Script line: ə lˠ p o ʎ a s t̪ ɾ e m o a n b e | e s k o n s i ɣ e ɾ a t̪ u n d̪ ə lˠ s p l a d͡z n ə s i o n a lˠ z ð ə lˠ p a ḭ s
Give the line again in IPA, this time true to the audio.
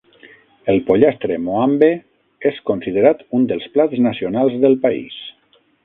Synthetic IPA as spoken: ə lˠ p o ʎ a s t̪ ɾ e m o a m b e | e s k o n s i ð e ɾ a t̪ u n d̪ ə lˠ s p l a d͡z n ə s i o n a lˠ z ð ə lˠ p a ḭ s